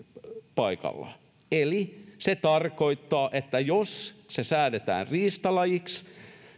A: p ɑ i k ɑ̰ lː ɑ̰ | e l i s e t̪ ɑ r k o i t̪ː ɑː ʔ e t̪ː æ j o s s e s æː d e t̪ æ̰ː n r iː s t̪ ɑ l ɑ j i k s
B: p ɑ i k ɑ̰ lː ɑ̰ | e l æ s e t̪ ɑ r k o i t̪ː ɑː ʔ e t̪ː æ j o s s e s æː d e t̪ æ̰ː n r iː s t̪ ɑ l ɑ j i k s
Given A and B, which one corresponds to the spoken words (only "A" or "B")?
A